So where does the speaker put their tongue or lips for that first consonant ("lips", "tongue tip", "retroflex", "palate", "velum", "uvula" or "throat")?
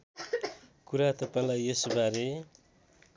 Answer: velum